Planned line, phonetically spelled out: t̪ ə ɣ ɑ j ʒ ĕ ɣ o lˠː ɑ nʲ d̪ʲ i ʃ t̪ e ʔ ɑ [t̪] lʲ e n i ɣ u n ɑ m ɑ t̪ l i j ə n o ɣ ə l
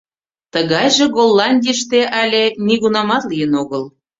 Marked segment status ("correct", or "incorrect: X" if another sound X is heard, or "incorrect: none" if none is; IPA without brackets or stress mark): incorrect: none